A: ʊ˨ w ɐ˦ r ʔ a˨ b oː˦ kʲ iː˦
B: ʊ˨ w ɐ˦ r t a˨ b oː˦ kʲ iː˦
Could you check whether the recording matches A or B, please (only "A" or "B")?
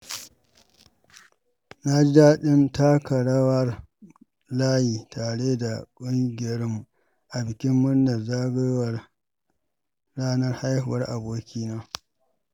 A